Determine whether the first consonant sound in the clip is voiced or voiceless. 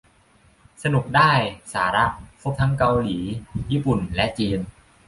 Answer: voiceless